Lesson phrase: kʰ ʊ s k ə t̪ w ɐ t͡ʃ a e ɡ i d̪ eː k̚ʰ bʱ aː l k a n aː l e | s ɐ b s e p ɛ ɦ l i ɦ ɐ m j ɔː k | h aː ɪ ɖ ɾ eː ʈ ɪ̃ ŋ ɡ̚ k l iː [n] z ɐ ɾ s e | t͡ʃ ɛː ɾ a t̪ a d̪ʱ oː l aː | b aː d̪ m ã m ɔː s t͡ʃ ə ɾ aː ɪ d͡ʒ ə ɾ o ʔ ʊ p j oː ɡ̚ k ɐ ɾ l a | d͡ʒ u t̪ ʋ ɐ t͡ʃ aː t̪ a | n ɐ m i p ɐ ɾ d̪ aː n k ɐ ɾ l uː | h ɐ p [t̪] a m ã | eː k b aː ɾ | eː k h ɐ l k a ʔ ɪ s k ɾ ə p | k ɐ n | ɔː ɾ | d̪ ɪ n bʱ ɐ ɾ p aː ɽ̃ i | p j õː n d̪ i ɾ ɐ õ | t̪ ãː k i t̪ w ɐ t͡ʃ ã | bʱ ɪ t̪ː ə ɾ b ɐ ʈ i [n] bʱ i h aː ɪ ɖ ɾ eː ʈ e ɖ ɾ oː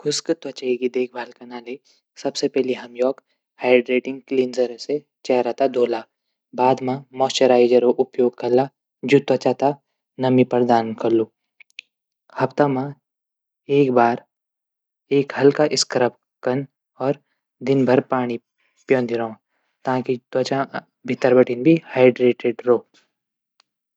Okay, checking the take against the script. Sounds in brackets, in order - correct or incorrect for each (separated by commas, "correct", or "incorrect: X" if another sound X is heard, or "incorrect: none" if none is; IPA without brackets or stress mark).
correct, correct, correct